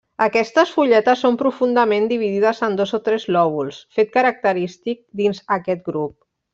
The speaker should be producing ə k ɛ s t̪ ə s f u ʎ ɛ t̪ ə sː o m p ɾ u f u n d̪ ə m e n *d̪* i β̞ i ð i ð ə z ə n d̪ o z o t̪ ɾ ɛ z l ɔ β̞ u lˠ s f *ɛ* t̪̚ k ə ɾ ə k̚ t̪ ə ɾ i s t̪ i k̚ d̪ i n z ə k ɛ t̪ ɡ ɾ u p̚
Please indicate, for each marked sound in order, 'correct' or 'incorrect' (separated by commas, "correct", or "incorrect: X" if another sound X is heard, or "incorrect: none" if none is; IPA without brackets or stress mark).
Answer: correct, incorrect: e